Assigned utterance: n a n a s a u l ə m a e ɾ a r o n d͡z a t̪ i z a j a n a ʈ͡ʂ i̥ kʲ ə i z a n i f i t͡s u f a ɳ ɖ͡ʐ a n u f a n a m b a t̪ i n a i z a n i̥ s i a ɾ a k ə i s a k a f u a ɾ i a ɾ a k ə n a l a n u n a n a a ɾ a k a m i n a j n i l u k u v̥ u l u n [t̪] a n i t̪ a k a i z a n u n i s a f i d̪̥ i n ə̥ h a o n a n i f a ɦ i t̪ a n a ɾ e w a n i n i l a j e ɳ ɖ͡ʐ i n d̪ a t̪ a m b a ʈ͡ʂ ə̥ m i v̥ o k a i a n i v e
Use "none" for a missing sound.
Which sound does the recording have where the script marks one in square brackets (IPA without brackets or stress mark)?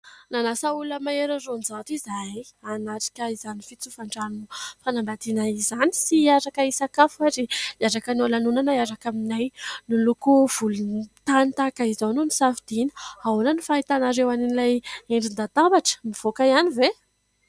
t̪